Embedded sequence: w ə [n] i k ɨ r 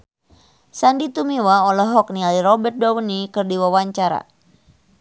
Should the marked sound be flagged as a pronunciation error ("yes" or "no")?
no